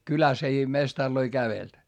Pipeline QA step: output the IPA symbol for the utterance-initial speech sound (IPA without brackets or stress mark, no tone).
k